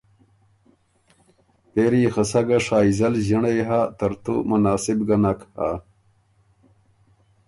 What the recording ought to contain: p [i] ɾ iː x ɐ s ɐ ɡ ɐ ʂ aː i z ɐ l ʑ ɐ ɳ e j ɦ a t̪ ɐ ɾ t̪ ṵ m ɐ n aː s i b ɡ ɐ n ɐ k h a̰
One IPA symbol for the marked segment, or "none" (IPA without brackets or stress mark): e